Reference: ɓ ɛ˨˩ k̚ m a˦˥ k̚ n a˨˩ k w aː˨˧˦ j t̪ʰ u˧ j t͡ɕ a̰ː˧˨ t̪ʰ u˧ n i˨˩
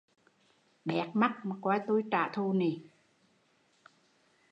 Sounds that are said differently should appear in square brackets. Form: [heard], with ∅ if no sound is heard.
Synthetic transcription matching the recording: ɓ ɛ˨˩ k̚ m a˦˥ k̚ [m] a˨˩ k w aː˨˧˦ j [t̪] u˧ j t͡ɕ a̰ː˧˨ t̪ʰ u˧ n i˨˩

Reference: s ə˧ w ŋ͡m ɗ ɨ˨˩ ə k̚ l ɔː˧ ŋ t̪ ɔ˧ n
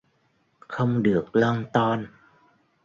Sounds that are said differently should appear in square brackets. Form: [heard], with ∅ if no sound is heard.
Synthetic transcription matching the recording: [x] ə˧ w ŋ͡m ɗ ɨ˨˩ ə k̚ l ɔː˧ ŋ t̪ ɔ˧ n

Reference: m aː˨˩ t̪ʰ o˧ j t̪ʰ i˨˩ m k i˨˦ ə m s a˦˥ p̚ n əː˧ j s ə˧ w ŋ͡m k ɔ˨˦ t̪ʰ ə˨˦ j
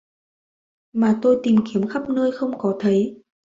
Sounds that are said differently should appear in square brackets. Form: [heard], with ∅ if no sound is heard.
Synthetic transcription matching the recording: m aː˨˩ [t̪] o˧ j [t̪] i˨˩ m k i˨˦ ə m [x] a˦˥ p̚ n əː˧ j [x] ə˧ w ŋ͡m k ɔ˨˦ t̪ʰ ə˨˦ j

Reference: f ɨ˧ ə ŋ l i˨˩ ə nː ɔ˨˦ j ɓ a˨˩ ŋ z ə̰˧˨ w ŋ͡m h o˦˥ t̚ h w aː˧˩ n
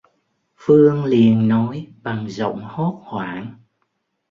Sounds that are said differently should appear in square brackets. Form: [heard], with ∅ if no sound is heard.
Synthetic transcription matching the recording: f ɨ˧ ə ŋ l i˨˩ ə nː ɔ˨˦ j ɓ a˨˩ ŋ z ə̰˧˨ w ŋ͡m h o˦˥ t̚ h w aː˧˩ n

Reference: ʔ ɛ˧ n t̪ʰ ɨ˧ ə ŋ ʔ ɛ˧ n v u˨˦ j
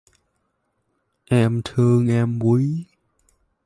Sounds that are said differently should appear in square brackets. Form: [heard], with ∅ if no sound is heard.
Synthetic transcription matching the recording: ʔ ɛ˧ [m] t̪ʰ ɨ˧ ə ŋ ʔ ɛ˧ [m] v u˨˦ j

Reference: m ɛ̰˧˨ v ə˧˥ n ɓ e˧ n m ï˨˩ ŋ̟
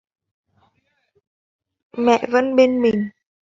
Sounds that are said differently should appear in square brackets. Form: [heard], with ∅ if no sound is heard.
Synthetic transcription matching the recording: m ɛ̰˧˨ v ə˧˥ n ɓ e˧ n m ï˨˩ ŋ̟

